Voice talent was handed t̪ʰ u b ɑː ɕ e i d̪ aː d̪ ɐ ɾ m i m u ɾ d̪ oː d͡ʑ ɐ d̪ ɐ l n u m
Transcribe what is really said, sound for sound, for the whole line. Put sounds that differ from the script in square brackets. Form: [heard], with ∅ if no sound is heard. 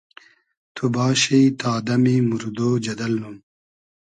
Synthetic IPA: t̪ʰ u b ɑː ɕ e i [t̪] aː d̪ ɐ [∅] m i m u ɾ d̪ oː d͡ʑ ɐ d̪ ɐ l n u m